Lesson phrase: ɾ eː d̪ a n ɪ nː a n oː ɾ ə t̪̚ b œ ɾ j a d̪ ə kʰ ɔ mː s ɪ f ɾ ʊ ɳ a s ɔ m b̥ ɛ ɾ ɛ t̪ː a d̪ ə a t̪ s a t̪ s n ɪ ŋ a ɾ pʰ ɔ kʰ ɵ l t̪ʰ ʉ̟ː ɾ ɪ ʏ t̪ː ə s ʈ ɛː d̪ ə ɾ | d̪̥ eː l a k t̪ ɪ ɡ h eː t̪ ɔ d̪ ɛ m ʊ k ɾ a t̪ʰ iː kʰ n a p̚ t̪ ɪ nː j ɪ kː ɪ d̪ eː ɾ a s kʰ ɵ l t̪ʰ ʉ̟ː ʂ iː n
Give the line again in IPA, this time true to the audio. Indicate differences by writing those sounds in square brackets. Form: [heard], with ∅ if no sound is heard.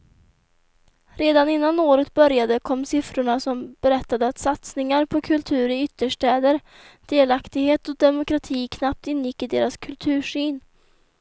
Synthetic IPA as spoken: ɾ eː d̪ a n ɪ nː a n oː ɾ ə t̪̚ b œ ɾ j a d̪ ə kʰ ɔ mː s ɪ f ɾ ʊ ɳ a s ɔ m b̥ ɛ ɾ ɛ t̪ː a d̪ ə a t̪ s a t̪ s n ɪ ŋ a ɾ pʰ ɔ kʰ ɵ l t̪ʰ ʉ̟ː ɾ ɪ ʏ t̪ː ə [ʂ] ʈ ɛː d̪ ə ɾ | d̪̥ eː l a k t̪ ɪ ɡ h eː t̪ ɔ d̪ ɛ m ʊ k ɾ a t̪ʰ iː kʰ n a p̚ t̪ ɪ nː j ɪ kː ɪ d̪ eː ɾ a s kʰ ɵ l t̪ʰ ʉ̟ː ʂ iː n

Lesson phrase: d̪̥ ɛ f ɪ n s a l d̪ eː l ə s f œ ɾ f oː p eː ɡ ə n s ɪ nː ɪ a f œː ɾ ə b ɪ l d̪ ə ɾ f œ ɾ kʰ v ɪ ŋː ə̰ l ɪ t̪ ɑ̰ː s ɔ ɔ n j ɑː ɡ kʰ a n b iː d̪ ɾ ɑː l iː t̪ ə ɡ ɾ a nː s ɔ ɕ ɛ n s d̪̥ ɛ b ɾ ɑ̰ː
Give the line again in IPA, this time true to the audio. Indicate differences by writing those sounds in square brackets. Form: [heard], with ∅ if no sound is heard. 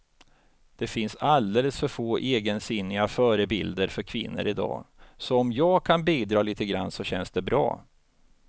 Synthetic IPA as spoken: d̪̥ ɛ f ɪ n s a l d̪ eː l ə s f œ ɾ f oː [ʔ] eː ɡ ə n s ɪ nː ɪ a f œː ɾ ə b ɪ l d̪ ə ɾ f œ ɾ kʰ v ɪ [nː] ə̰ [ɾ] ɪ [d̪] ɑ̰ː s ɔ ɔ [m] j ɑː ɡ kʰ a n b iː d̪ ɾ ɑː l iː t̪ ə ɡ ɾ a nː s ɔ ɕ ɛ n s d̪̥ ɛ b ɾ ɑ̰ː

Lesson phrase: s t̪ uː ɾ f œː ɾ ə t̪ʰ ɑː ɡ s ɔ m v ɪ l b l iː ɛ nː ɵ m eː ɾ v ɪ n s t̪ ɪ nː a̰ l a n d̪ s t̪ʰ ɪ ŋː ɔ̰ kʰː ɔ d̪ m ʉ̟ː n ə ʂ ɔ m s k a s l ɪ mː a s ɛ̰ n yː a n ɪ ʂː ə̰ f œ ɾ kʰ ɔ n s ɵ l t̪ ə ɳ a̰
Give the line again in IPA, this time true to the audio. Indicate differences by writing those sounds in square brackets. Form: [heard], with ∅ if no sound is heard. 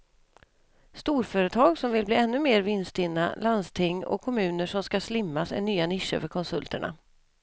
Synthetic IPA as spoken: s t̪ uː ɾ f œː ɾ ə t̪ʰ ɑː ɡ s ɔ m v ɪ l b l iː ɛ nː ɵ m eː ɾ v ɪ n s t̪ ɪ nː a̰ l a n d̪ s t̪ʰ ɪ ŋː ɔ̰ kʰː ɔ [∅] m ʉ̟ː n ə ʂ ɔ m s k a s l ɪ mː a s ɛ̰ n yː a n ɪ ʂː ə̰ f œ ɾ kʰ ɔ n s ɵ l t̪ ə ɳ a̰

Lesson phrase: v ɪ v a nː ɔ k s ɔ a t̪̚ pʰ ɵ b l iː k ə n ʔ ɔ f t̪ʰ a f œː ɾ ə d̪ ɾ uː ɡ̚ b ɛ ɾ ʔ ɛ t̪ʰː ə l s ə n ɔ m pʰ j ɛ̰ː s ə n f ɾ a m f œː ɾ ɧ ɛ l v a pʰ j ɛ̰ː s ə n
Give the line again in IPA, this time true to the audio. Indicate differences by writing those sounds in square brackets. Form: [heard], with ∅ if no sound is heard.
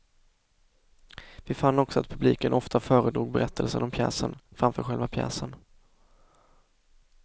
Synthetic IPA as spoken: v ɪ [f] a nː ɔ k s ɔ a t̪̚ pʰ ɵ b l iː k ə n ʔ ɔ f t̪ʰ a f œː ɾ ə d̪ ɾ uː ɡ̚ b ɛ ɾ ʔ ɛ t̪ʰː ə l s ə n ɔ m pʰ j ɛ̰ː s ə n f ɾ a m f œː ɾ ɧ ɛ l v a pʰ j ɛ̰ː s ə n

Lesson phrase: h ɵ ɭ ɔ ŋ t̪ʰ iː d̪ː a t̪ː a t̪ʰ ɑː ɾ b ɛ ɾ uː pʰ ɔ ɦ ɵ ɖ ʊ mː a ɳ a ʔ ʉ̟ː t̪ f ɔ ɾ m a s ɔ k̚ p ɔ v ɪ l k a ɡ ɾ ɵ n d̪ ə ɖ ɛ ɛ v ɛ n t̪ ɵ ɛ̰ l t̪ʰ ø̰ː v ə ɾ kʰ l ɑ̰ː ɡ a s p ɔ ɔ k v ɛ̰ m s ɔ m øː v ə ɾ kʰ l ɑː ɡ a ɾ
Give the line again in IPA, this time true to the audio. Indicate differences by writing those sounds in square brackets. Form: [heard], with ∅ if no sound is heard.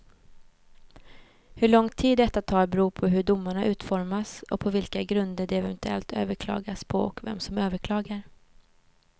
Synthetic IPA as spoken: h ɵ ɭ ɔ ŋ t̪ʰ iː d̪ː [ɛ] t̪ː a t̪ʰ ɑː ɾ b ɛ ɾ uː pʰ ɔ ɦ ɵ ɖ ʊ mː a ɳ a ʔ ʉ̟ː t̪ f ɔ ɾ m a s ɔ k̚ [pʰ] ɔ v ɪ l k a ɡ ɾ ɵ n d̪ ə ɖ ɛ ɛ v ɛ n t̪ ɵ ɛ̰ l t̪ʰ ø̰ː v ə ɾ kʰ l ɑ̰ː ɡ a s [pʰ] ɔ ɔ k v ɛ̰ m s ɔ m øː v ə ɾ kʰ l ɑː ɡ a ɾ

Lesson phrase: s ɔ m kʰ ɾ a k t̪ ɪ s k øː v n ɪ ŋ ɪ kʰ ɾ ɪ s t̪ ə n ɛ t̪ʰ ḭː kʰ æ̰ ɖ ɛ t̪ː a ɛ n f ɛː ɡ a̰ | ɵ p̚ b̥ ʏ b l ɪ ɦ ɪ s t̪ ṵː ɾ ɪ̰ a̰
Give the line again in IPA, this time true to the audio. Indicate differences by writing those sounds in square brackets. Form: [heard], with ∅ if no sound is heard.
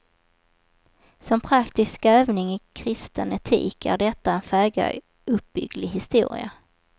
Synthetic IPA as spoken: s ɔ m [pʰ] ɾ a k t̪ ɪ s k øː v n ɪ ŋ ɪ kʰ ɾ ɪ s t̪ ə n ɛ t̪ʰ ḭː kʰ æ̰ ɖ ɛ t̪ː a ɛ n f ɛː ɡ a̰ | ɵ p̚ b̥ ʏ [ɡ] l ɪ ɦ ɪ s t̪ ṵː ɾ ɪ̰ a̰

